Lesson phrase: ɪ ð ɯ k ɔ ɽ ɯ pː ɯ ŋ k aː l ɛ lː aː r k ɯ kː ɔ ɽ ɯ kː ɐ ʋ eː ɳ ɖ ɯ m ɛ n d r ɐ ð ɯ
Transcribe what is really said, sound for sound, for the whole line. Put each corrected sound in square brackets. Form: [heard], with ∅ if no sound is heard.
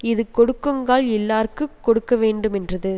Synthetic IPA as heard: ɪ ð ɯ k ɔ ɽ ɯ [kː] ɯ ŋ [ɡ] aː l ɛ lː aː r k ɯ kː ɔ ɽ ɯ kː ɐ ʋ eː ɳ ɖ ɯ m ɛ n d r ɐ ð ɯ